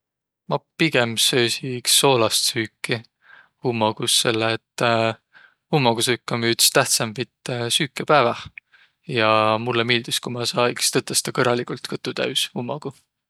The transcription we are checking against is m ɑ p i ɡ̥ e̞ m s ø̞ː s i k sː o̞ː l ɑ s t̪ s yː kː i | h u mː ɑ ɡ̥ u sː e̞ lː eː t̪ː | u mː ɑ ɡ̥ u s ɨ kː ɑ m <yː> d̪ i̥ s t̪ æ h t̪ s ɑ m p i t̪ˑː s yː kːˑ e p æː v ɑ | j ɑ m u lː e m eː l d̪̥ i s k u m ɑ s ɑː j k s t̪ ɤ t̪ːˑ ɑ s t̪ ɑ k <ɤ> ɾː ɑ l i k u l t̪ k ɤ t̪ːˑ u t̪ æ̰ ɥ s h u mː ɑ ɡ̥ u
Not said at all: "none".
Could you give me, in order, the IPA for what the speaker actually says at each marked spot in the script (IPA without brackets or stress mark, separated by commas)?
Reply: yː, ɤ